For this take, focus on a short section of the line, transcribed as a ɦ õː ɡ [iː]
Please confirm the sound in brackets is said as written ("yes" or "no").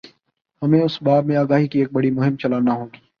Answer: yes